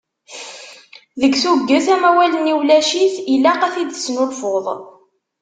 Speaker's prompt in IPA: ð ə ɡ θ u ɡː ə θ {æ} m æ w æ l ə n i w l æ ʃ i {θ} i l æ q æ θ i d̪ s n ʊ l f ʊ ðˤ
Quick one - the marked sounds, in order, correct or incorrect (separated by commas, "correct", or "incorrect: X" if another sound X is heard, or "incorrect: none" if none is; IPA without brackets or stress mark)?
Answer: correct, correct